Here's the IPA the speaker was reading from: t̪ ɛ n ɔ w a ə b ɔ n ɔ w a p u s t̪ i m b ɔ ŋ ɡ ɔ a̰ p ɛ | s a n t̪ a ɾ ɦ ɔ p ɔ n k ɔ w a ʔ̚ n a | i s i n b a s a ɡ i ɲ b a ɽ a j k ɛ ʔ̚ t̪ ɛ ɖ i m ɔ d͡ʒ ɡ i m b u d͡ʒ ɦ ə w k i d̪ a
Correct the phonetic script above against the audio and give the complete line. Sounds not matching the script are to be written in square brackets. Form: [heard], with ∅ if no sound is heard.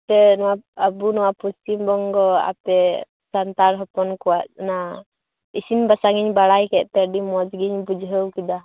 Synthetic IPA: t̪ ɛ n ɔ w a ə b [u] n ɔ w a p u s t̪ i m b ɔ ŋ ɡ ɔ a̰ p ɛ | s a n t̪ a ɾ ɦ ɔ p ɔ n k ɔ w a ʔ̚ n a | i s i n b a s a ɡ i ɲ b a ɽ a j k ɛ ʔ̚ t̪ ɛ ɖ i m ɔ d͡ʒ ɡ i [ɲ] b u d͡ʒ ɦ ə w k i d̪ a